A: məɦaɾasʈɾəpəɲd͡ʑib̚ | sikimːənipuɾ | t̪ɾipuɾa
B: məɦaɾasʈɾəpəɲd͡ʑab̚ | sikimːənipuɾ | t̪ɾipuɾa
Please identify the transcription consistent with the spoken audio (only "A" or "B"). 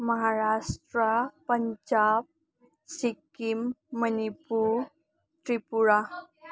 B